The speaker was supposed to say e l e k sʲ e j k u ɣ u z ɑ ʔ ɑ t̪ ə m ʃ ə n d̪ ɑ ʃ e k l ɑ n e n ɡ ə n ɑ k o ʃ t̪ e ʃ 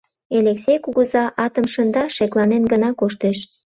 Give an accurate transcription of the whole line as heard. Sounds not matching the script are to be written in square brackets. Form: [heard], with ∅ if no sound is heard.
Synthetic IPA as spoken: e l e k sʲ e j k u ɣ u z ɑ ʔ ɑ t̪ ə m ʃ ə n d̪ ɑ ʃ e k l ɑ n e n ɡ ə n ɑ k o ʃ t̪ e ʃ